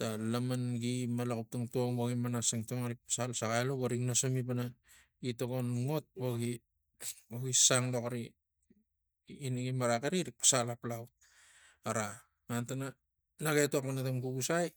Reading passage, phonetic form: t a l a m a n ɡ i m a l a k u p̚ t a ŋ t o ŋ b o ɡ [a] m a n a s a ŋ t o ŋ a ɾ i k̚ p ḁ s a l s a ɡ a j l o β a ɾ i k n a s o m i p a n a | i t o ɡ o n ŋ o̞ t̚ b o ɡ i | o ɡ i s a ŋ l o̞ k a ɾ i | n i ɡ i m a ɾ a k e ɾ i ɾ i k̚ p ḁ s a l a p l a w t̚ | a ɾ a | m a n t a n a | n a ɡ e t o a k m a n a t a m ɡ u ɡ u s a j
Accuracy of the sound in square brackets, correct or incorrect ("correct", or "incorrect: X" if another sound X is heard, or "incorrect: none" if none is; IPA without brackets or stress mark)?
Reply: incorrect: i